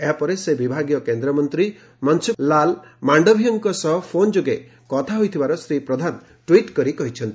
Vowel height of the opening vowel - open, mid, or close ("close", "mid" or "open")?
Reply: mid